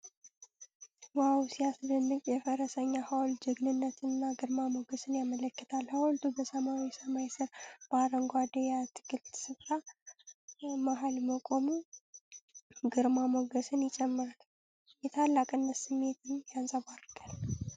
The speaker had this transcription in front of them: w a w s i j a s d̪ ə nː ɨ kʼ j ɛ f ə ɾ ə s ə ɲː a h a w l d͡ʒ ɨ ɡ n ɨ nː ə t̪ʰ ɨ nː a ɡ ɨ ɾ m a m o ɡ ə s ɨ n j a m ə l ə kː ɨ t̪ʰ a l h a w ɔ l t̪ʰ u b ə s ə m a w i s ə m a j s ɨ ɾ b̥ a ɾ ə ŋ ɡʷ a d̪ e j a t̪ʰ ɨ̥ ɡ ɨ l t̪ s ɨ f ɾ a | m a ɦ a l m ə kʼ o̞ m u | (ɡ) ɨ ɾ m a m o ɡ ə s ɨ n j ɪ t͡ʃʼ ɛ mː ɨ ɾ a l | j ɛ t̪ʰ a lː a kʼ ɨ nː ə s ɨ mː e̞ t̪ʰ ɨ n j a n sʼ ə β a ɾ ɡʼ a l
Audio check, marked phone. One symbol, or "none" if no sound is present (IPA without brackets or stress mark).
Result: ɡ